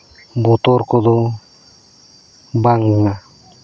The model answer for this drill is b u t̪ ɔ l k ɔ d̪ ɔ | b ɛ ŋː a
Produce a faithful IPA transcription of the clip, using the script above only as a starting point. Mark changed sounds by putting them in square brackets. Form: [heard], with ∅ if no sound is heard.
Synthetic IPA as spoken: b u t̪ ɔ [ɾ] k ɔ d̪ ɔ | b [a] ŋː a